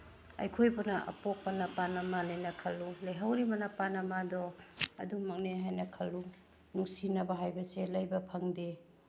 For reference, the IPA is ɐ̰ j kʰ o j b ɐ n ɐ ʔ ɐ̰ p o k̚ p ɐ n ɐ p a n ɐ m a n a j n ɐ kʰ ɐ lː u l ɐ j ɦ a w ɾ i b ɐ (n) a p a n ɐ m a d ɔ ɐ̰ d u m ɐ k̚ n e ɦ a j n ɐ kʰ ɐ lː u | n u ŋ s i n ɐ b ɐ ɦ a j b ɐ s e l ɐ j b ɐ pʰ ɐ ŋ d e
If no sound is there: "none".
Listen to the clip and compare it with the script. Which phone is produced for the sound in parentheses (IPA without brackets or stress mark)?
n